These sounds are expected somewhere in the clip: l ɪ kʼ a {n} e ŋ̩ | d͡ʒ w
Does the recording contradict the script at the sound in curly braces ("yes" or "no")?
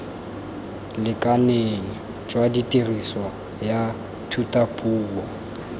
no